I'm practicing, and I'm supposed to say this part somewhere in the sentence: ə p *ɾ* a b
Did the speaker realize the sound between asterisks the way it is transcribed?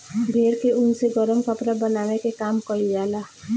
yes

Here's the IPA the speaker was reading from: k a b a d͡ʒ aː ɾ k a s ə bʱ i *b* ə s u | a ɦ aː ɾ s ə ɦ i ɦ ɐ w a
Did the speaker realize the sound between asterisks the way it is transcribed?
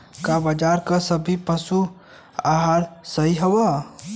no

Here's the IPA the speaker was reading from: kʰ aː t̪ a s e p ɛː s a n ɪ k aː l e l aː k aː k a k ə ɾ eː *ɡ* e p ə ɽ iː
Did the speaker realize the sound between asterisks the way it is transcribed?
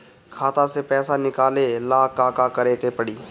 no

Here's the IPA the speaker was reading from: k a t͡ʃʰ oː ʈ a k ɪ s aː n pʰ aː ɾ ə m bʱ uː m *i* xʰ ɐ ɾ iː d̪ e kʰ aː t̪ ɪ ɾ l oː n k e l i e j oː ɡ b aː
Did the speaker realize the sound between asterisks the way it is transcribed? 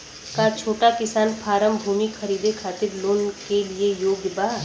yes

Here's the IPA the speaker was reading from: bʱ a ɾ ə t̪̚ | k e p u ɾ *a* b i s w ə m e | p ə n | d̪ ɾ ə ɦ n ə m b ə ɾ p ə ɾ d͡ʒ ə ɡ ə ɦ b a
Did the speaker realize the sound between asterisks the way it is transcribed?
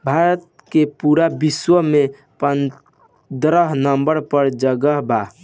yes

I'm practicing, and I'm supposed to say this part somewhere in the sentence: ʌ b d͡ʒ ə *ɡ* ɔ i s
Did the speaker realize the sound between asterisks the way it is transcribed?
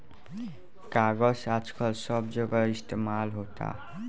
yes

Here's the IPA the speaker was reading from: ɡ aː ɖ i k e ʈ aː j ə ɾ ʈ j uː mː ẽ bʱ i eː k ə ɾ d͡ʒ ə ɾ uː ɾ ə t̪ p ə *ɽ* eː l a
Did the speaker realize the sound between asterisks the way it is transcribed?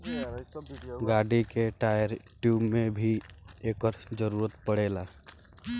yes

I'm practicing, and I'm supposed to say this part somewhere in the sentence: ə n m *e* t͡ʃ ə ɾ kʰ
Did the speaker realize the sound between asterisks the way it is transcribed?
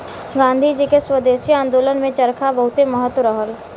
no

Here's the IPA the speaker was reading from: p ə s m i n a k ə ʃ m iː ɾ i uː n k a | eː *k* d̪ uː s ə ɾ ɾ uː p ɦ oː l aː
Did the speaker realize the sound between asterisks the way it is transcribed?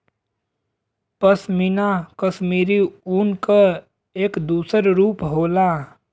yes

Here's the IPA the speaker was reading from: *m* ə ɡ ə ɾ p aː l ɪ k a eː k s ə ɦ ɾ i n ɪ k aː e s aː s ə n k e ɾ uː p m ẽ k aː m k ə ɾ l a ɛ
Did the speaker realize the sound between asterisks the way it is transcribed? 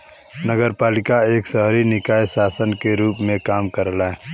no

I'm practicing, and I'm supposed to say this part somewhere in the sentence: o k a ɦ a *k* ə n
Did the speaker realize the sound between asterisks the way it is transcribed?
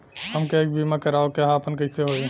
no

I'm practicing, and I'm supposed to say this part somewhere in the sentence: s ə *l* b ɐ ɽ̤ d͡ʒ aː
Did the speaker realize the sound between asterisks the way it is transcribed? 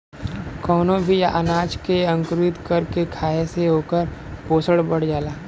no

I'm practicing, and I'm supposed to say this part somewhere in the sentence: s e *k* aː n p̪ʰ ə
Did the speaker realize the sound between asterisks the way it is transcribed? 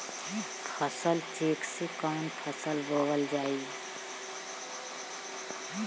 yes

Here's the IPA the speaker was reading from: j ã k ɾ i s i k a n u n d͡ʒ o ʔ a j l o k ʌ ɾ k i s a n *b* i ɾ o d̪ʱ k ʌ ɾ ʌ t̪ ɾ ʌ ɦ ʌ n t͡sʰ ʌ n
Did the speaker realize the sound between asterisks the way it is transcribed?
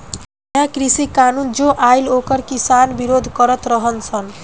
yes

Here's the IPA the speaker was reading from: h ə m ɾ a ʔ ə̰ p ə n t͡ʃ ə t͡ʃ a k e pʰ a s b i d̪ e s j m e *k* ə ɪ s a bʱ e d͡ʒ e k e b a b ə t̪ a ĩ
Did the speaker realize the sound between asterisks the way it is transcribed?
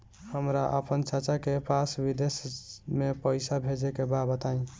no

